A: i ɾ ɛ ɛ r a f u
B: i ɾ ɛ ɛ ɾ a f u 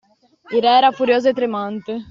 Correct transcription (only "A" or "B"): B